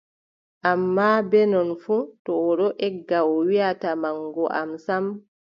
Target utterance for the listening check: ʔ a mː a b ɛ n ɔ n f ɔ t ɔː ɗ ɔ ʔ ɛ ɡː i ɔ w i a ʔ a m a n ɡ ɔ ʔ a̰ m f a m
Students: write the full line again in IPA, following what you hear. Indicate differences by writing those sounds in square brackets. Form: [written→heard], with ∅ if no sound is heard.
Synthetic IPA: ʔ a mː a b ɛ n ɔ n f [ɔ→u] t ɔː ɗ ɔ ʔ ɛ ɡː [i→a] ɔ w i a [ʔ→t] a m a [n→ŋ] ɡ ɔ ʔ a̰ m [f→s] a m

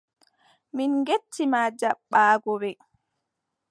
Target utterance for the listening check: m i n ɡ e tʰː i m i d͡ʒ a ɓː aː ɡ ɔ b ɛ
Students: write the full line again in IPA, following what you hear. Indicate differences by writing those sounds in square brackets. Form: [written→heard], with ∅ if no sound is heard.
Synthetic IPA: m i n ɡ e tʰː i m [i→a] d͡ʒ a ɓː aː ɡ ɔ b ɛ

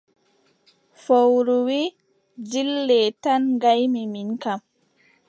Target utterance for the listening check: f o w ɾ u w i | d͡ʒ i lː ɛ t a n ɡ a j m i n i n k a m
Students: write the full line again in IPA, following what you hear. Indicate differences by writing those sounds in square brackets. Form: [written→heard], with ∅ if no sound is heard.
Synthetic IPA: f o w ɾ u w i | d͡ʒ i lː ɛ t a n ɡ a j m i [n→m] i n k a m

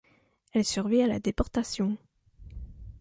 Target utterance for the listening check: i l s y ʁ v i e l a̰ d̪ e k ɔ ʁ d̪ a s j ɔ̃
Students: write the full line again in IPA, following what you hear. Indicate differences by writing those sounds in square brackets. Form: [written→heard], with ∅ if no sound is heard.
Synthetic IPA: [i→ɛ] l s y ʁ v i [e→a] l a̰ d̪ e [k→p] ɔ ʁ [d̪→t̪] a s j ɔ̃

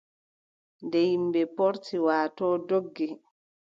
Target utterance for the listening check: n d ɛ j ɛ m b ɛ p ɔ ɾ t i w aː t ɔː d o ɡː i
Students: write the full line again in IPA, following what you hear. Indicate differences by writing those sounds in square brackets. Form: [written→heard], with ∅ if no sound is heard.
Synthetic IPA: n d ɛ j [ɛ→i] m b ɛ p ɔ ɾ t i w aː t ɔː d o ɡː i

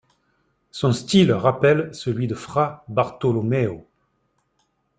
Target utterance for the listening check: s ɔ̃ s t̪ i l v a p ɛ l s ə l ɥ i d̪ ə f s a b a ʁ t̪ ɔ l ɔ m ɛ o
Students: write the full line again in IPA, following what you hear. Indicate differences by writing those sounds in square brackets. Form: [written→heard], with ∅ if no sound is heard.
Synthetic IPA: s ɔ̃ s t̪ i l [v→ʁ] a p ɛ l s ə l ɥ i d̪ ə f [s→χ] a b a ʁ t̪ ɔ l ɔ m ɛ o

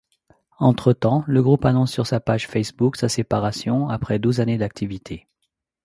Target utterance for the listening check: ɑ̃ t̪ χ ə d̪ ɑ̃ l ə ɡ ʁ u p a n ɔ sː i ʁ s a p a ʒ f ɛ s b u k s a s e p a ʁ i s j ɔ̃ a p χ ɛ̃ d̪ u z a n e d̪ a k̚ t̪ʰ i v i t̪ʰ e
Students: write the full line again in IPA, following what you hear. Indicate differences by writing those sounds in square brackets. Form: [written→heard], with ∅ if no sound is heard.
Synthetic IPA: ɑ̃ t̪ χ ə [d̪→t̪] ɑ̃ l ə ɡ ʁ u p a n [ɔ→ɔ̃] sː [i→y] ʁ s a p a ʒ f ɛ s b u k s a s e p a ʁ [i→a] s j ɔ̃ a p χ [ɛ̃→ɛ] d̪ u z a n e d̪ a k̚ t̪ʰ i v i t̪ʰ e

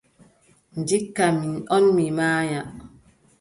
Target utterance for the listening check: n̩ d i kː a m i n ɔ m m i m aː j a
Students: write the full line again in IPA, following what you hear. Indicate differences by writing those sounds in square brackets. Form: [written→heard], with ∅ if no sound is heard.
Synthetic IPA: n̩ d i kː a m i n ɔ [m→n] m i m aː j a

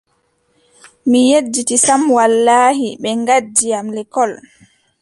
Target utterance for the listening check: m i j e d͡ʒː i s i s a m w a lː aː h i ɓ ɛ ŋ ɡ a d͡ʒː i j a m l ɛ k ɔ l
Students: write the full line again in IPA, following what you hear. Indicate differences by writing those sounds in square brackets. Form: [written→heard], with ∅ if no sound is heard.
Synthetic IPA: m i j e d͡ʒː i [s→t] i s a m w a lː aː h i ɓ ɛ ŋ ɡ a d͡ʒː i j a m l ɛ k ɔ l

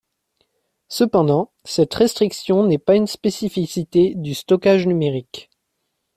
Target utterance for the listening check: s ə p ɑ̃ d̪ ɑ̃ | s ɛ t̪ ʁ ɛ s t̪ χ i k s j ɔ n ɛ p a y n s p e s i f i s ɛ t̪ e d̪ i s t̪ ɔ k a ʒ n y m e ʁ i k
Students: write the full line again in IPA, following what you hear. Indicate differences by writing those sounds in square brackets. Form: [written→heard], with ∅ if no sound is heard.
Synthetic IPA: s ə p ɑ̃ d̪ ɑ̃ | s ɛ t̪ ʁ ɛ s t̪ χ i k s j [ɔ→ɔ̃] n ɛ p a y n s p e s i f i s [ɛ→i] t̪ e d̪ [i→y] s t̪ ɔ k a ʒ n y m e ʁ i k

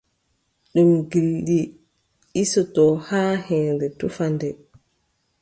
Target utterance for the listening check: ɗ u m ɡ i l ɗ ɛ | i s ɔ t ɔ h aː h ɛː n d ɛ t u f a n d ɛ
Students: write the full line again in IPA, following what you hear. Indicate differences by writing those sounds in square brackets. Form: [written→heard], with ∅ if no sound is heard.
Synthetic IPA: ɗ u m ɡ i l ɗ [ɛ→i] | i s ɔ t ɔ h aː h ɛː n d ɛ t u f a n d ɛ

